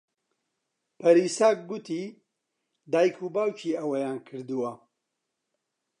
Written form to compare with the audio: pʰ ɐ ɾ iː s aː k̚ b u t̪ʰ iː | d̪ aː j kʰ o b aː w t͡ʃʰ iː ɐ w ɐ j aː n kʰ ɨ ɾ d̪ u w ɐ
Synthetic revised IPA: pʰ ɐ ɾ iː s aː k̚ ɡ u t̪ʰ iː | d̪ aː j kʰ u b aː w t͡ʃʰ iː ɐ w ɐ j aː n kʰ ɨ ɾ d̪ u w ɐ